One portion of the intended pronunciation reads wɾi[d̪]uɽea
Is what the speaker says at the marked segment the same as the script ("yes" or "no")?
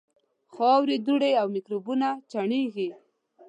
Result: yes